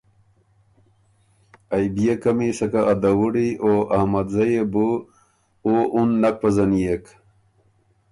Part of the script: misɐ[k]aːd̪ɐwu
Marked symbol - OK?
yes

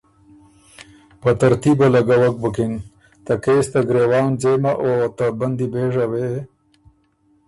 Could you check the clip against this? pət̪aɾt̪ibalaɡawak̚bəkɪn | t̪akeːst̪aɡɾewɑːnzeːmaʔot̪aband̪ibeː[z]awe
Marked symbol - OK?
no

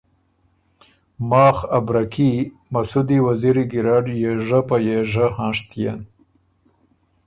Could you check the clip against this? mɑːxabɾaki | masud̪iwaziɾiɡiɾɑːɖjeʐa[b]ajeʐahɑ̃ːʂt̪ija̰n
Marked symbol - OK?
no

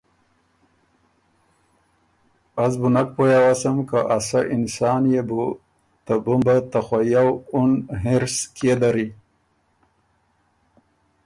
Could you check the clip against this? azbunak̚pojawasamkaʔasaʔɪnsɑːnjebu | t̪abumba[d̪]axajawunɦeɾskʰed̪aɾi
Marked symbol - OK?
no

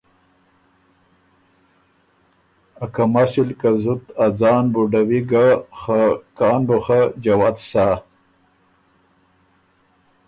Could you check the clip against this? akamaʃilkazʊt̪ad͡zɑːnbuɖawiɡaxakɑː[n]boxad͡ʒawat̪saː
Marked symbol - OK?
yes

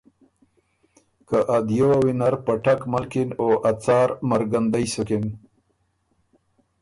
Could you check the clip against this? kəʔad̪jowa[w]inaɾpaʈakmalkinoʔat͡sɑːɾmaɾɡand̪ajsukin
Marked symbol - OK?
yes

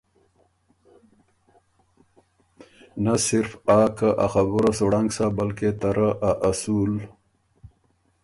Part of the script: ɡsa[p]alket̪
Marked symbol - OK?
no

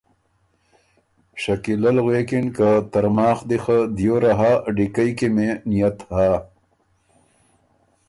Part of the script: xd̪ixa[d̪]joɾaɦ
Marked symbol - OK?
yes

